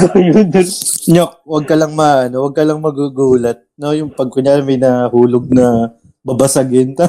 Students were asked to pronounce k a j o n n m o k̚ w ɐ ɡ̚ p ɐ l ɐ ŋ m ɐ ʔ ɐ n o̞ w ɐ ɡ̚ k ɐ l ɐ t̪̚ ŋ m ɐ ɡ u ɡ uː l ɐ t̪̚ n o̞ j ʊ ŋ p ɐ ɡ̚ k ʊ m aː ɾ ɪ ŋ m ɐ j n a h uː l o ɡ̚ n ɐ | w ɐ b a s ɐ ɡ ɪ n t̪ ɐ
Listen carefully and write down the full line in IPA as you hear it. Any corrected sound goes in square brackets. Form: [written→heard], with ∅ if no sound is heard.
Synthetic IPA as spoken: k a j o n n [m→ɲ] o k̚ w ɐ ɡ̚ [p→k] ɐ l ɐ ŋ m ɐ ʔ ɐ n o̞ w ɐ ɡ̚ k ɐ l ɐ [t̪̚→∅] ŋ m ɐ ɡ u ɡ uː l ɐ t̪̚ n o̞ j ʊ ŋ p ɐ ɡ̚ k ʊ [m→ɲ] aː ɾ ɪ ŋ m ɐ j n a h uː l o ɡ̚ n ɐ | [w→b] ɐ b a s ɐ ɡ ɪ n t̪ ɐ